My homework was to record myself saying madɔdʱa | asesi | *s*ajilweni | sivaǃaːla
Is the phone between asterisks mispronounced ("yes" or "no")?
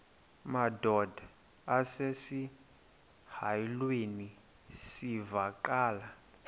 yes